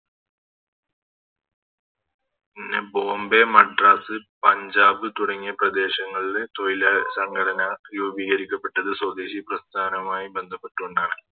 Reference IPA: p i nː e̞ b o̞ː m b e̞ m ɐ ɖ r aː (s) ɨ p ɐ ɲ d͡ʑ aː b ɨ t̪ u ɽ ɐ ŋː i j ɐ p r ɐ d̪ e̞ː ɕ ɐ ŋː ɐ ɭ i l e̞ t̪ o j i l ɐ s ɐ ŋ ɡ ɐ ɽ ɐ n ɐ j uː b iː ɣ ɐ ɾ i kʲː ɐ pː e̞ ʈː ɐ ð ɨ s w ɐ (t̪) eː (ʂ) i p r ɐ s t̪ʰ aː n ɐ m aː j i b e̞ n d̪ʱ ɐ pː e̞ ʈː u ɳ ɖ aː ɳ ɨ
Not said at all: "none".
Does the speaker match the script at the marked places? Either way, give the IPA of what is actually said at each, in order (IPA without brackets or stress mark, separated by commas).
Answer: s, d̪, ɕ